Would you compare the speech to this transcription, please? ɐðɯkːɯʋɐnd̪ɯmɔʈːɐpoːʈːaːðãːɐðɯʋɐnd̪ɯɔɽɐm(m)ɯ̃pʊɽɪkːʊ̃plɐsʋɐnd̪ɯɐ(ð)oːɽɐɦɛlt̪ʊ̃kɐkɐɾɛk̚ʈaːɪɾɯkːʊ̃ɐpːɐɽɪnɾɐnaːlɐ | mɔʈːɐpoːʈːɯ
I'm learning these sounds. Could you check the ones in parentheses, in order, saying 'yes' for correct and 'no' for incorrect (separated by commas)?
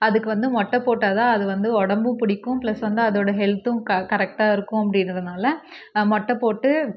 no, yes